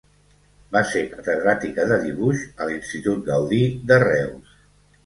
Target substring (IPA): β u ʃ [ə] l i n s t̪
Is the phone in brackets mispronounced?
no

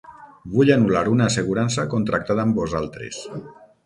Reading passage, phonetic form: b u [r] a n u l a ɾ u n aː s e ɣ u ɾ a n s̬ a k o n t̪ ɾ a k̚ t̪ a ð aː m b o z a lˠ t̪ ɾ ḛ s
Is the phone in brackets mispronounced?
yes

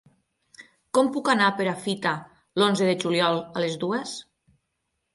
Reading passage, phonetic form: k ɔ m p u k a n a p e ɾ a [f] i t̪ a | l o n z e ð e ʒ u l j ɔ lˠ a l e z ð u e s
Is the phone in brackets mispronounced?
no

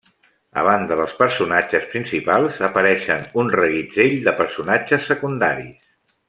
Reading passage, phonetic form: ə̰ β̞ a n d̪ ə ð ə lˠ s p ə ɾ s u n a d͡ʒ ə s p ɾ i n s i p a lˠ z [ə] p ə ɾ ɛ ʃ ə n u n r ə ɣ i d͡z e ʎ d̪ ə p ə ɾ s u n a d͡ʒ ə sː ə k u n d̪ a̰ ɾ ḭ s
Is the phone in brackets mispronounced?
no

